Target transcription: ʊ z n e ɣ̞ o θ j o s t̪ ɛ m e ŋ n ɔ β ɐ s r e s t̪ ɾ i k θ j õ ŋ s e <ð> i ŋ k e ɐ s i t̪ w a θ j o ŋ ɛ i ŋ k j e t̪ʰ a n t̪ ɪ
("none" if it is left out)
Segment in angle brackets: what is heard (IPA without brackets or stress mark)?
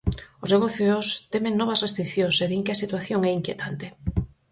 ð